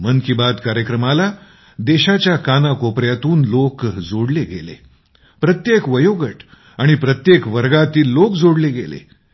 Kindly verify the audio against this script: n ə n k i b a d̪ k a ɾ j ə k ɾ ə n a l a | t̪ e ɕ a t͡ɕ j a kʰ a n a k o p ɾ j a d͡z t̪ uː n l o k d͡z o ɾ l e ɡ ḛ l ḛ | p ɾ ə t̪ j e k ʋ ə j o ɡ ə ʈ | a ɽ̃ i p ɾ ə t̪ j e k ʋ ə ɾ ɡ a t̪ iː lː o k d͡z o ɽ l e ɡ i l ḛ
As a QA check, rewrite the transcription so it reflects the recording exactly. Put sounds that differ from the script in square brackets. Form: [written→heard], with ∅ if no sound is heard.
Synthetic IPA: [n→m] ə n k i b a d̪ k a ɾ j ə k ɾ ə [n→m] a l a | [t̪→d̪] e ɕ a t͡ɕ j a [kʰ→k] a n a k o p ɾ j a [d͡z→∅] t̪ uː n l o k d͡z o [ɾ→ɽ] l e ɡ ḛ l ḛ | p ɾ ə t̪ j e k ʋ ə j o ɡ ə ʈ | a ɽ̃ i p ɾ ə t̪ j e k ʋ ə ɾ ɡ a t̪ iː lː o k d͡z o ɽ l e ɡ [i→e] l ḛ